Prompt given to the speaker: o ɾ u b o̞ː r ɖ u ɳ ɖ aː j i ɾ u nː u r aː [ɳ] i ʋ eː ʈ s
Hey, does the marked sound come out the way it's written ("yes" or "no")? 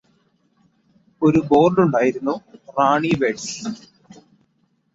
yes